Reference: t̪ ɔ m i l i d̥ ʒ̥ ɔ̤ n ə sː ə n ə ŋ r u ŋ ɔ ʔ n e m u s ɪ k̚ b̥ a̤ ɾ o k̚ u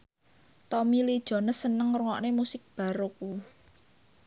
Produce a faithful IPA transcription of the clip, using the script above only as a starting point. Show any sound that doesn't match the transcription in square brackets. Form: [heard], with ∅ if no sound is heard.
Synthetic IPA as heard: t̪ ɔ m i l i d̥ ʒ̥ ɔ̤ n ə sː ə n ə ŋ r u ŋ ɔ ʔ n e m u s ɪ k̚ b̥ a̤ ɾ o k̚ u